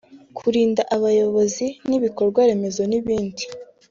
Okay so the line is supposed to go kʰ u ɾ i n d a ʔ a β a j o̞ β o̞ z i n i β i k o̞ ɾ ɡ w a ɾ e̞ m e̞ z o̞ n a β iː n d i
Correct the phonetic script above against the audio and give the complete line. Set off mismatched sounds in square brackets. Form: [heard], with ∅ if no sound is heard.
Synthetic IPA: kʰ u ɾ [iː] n d a ʔ a β a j o̞ β o̞ z i n i β i k o̞ ɾ ɡ w a ɾ e̞ m e̞ z o̞ n [i] β iː n d i